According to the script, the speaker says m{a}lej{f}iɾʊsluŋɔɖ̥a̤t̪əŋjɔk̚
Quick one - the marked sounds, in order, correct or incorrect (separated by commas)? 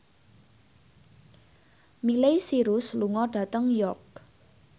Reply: incorrect, incorrect